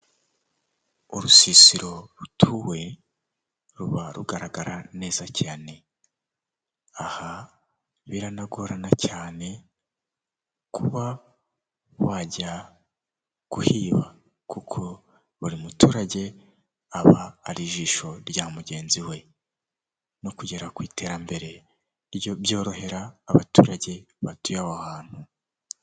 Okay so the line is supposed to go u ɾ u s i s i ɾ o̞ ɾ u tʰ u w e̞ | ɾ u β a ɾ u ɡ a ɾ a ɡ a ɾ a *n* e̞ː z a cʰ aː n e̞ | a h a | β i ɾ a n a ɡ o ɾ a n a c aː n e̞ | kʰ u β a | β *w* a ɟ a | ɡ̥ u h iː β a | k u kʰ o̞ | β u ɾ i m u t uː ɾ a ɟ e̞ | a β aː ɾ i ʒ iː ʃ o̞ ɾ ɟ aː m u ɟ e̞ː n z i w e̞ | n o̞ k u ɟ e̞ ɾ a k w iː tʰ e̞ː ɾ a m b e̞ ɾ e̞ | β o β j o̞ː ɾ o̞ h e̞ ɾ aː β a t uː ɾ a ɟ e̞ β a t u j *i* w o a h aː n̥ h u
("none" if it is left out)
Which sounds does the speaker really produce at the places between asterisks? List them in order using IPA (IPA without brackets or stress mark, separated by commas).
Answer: n, w, a